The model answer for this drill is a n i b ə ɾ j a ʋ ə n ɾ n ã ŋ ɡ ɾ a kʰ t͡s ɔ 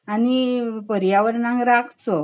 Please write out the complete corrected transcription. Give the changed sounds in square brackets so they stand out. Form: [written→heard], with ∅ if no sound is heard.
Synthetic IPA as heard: a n i [b→p] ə ɾ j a ʋ ə [n→∅] ɾ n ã ŋ ɡ ɾ a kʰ t͡s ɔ